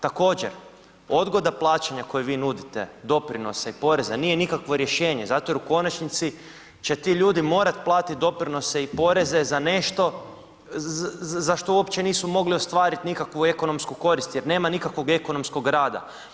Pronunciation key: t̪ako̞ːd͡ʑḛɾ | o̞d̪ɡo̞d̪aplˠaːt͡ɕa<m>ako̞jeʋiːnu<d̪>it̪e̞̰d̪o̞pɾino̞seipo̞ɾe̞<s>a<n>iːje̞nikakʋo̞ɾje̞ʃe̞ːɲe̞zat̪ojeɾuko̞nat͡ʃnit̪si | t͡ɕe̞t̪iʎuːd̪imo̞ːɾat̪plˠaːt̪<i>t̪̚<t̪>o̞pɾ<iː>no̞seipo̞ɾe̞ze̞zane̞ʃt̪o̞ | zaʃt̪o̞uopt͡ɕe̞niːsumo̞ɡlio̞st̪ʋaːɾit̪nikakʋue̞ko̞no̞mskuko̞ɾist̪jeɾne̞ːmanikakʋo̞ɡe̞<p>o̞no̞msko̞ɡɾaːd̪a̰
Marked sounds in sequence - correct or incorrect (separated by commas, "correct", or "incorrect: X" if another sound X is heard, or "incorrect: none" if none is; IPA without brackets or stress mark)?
incorrect: ɲ, correct, incorrect: z, correct, correct, incorrect: d̪, incorrect: i, incorrect: k